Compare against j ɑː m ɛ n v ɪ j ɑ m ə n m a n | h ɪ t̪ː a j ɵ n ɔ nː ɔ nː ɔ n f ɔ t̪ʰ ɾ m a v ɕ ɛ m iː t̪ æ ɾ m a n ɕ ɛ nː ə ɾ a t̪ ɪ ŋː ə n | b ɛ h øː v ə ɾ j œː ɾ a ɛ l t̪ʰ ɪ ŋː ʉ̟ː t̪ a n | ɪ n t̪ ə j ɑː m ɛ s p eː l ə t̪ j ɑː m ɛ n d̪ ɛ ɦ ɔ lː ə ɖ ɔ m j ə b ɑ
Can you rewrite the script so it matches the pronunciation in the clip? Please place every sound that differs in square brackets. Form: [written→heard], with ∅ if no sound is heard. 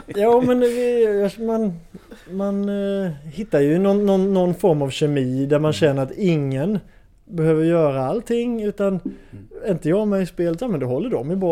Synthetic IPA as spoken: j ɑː m ɛ n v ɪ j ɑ m [ə→a] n m a n | h ɪ t̪ː a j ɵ n ɔ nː ɔ nː ɔ n f ɔ [t̪ʰ→∅] ɾ m a v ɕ ɛ m iː [t̪→d̪] æ ɾ m a n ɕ ɛ nː ə ɾ a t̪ ɪ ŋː ə n | b ɛ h øː v ə ɾ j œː ɾ a [ɛ→a] l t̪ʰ ɪ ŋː ʉ̟ː t̪ a n | ɪ n t̪ ə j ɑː m ɛ s p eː l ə t̪ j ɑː m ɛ n d̪ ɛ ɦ ɔ lː ə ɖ ɔ m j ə b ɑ